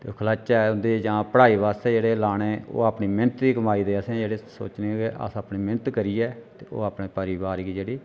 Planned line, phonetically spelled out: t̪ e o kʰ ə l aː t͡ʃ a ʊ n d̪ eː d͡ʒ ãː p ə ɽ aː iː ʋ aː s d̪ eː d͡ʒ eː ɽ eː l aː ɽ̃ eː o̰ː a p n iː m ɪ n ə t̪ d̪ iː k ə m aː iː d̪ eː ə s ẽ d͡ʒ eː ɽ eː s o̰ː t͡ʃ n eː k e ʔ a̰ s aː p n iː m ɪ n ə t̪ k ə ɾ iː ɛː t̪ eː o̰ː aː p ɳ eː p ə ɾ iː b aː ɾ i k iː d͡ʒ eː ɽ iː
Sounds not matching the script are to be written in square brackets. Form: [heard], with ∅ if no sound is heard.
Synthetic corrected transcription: t̪ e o kʰ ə l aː t͡ʃ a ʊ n d̪ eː d͡ʒ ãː p ə ɽ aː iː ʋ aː s [t̪] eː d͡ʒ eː ɽ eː l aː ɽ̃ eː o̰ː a p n iː m ɪ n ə t̪ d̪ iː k ə m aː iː d̪ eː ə s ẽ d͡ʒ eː ɽ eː s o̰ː t͡ʃ n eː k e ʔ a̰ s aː p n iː m ɪ n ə t̪ k ə ɾ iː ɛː t̪ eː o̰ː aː p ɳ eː p ə ɾ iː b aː ɾ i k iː d͡ʒ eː ɽ iː